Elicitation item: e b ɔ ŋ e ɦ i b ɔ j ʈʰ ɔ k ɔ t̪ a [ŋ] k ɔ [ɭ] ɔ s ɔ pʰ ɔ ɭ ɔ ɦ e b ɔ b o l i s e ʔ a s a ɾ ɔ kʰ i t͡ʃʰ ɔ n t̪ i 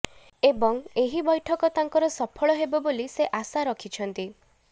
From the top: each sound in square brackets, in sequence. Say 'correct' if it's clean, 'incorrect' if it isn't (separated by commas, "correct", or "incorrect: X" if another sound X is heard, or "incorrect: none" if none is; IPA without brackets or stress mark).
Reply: correct, incorrect: ɾ